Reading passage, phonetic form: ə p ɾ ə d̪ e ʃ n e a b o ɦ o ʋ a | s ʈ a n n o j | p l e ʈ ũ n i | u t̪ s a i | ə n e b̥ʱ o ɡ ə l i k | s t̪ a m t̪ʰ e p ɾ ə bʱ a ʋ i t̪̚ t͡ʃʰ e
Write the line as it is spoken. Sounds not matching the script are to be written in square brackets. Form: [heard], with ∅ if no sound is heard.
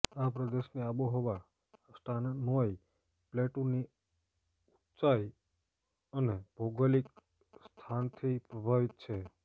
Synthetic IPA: [a] p ɾ ə d̪ e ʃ n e a b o ɦ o ʋ a | s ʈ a n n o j | p l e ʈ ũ n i | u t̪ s a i | ə n e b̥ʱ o ɡ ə l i k | s [t̪ʰ] a [n] t̪ʰ [i] p ɾ ə bʱ a ʋ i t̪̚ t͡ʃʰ e